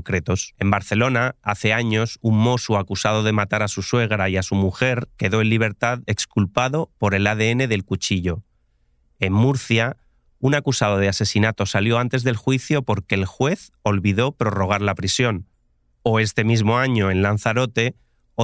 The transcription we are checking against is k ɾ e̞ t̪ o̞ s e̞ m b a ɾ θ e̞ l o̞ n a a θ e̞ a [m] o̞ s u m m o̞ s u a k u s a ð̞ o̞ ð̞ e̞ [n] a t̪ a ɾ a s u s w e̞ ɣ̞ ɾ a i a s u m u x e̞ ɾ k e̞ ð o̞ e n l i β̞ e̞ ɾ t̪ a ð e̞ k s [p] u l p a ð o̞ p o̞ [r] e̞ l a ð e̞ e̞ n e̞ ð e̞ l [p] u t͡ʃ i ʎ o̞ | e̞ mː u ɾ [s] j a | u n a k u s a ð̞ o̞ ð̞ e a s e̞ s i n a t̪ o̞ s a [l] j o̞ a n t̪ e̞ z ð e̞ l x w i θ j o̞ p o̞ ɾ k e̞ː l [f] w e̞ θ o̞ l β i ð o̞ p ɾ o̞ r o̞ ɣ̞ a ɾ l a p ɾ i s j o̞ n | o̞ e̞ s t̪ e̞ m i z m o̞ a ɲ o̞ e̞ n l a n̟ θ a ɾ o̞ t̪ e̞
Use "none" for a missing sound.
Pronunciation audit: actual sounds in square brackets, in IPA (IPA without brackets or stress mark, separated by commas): ɲ, m, k, ɾ, k, θ, l, x